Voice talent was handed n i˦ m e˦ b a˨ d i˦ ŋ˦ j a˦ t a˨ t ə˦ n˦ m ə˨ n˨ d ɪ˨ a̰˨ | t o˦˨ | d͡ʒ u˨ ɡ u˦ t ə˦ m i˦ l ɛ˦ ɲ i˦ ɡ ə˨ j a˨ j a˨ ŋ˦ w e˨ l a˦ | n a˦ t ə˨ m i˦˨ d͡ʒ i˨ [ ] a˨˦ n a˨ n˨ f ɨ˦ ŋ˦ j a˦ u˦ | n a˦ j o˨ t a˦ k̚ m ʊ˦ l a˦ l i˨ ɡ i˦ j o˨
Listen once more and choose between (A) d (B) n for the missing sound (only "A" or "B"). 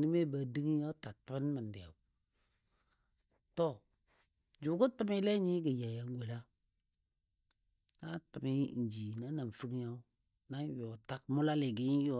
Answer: B